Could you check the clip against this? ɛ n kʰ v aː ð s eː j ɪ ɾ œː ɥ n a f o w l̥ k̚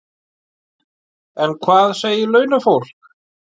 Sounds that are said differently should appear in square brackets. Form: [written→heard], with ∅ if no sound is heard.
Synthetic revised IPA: ɛ n kʰ v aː ð s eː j ɪ [ɾ→l] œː ɥ n a f o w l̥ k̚